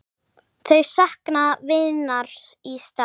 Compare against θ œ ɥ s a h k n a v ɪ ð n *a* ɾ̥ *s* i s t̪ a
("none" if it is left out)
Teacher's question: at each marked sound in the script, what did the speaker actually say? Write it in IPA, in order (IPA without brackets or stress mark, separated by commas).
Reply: a, s